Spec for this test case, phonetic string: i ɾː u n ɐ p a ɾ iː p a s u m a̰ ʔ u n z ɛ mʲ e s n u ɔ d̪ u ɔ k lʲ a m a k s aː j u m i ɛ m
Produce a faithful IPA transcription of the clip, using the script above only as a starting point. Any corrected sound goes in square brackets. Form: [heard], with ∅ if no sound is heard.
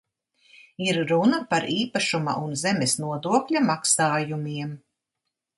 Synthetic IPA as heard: i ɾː u n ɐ p a ɾ iː p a [ʃ] u m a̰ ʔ u n z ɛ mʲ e s n u ɔ d̪ u ɔ k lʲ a m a k s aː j u m i ɛ m